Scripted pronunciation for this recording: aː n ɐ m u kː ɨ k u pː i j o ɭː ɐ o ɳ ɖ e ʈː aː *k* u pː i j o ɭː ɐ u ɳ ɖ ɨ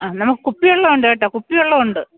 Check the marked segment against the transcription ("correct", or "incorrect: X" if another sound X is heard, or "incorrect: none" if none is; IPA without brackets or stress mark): correct